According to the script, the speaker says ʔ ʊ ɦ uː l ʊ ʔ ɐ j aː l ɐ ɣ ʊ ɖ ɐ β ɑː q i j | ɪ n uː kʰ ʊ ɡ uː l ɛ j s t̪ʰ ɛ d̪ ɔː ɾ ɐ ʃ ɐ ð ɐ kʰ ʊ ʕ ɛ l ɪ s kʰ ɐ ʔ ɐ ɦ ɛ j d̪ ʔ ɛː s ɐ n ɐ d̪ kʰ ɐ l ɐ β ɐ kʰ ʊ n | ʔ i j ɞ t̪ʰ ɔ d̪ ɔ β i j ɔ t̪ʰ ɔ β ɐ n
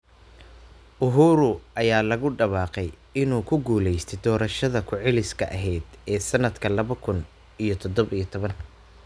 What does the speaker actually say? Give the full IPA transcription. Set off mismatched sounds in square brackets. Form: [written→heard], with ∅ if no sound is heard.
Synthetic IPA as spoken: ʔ ʊ ɦ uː [l→ɾ] ʊ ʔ ɐ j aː l ɐ ɣ ʊ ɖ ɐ β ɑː q [i→ɛ] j | ɪ n uː kʰ ʊ ɡ uː l ɛ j s t̪ʰ ɛ d̪ ɔː ɾ ɐ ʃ ɐ ð ɐ kʰ ʊ ʕ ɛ l ɪ s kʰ ɐ ʔ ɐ ɦ ɛ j d̪ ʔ ɛː s ɐ n ɐ d̪ kʰ ɐ l ɐ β ɐ kʰ ʊ n | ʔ i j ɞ t̪ʰ ɔ d̪ ɔ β i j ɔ t̪ʰ ɔ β ɐ n